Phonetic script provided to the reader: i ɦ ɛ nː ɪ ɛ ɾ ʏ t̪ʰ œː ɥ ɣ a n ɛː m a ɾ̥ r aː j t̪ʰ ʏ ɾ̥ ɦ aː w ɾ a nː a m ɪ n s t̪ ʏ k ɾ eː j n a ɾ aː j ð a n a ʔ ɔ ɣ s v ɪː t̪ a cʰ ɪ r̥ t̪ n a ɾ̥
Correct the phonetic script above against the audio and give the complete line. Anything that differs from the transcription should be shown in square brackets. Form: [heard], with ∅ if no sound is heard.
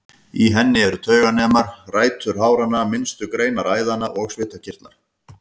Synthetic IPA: i ɦ ɛ nː ɪ ɛ ɾ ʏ t̪ʰ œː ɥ ɣ a n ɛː m a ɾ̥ r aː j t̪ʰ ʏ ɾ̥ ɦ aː w ɾ a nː a m ɪ n s t̪ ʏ k ɾ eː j n a ɾ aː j ð a n a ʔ ɔ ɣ s v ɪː t̪ a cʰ ɪ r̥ t̪ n a ɾ̥